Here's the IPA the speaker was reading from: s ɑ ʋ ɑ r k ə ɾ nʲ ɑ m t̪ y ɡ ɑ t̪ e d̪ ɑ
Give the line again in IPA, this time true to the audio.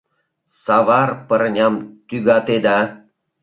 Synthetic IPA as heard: s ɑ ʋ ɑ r p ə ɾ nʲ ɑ m t̪ y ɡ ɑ t̪ e d̪ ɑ

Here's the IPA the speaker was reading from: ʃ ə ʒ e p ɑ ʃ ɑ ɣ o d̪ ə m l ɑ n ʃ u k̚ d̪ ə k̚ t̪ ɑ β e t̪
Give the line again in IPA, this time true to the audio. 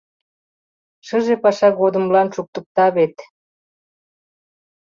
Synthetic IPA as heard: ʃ ə ʒ e p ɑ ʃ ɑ ɣ o d̪ ə m l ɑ n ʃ u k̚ t̪ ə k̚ t̪ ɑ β e t̪

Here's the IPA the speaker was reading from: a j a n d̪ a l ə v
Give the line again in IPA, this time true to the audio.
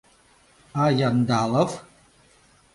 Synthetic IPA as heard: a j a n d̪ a l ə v

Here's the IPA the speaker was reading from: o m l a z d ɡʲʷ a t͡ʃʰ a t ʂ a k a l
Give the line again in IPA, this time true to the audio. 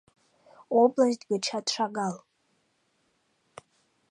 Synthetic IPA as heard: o b l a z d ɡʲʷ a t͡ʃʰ a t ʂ a ɡ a l

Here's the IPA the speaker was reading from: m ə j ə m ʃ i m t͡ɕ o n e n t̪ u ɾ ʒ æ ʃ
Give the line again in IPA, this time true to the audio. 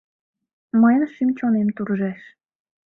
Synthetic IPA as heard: m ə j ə n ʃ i m t͡ɕ o n e m t̪ u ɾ ʒ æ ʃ

